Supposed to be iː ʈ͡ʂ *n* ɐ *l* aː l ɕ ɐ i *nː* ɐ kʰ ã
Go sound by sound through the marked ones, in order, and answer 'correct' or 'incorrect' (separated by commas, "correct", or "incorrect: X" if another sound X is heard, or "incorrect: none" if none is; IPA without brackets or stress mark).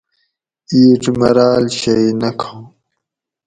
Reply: incorrect: m, incorrect: ɾ, incorrect: n